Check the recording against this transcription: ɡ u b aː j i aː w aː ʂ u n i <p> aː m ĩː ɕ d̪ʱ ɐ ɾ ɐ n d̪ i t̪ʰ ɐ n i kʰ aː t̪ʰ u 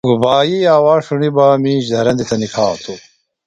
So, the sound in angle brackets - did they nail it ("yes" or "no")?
no